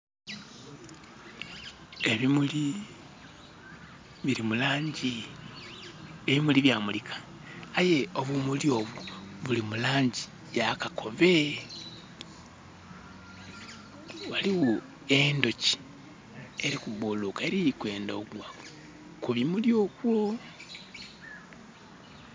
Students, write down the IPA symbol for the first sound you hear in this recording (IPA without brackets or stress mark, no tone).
e